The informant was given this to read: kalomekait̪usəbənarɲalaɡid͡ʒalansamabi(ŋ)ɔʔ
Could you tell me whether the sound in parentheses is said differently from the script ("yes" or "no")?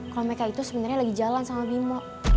yes